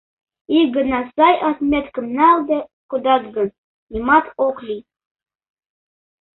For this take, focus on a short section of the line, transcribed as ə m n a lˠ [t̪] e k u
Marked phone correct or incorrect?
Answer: incorrect